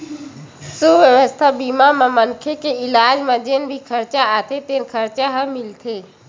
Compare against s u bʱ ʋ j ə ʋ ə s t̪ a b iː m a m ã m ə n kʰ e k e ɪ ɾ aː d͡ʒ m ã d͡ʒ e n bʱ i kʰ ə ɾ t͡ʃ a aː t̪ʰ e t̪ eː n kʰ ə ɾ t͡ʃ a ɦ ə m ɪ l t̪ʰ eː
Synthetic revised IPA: s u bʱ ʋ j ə ʋ ə s t̪ʰ a b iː m a m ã m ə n kʰ e k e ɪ l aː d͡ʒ m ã d͡ʒ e n bʱ i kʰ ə ɾ t͡ʃ a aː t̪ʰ e t̪ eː n kʰ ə ɾ t͡ʃ a ɦ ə m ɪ l t̪ʰ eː